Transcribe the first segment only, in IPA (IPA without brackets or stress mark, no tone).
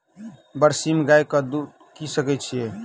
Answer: b